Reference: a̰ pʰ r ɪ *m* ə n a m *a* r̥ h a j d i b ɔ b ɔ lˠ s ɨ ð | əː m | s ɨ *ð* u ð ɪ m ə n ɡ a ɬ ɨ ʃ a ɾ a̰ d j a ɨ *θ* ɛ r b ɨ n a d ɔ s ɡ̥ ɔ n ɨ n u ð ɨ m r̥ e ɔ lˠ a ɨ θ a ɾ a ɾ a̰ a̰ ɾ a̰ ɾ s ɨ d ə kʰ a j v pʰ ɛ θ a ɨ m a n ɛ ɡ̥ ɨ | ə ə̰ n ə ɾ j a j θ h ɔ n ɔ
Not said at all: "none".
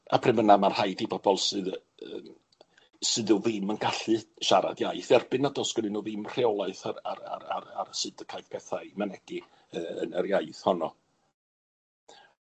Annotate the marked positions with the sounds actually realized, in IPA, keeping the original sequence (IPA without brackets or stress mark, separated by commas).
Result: m, a, ð, θ